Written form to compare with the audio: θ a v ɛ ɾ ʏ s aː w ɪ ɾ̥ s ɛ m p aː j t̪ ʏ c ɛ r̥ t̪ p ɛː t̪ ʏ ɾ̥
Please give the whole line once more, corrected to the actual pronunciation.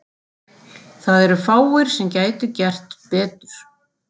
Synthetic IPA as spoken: θ a ð ɛ ɾ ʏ f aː w ɪ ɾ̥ s ɛ m c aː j t̪ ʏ c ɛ r̥ t̪ p ɛː t̪ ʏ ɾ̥